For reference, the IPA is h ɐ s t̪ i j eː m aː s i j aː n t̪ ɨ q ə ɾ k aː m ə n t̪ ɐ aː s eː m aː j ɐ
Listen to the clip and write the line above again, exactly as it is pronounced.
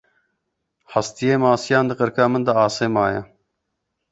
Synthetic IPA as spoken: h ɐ s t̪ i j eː m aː s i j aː n d̪ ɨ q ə ɾ k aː m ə n d̪ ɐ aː s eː m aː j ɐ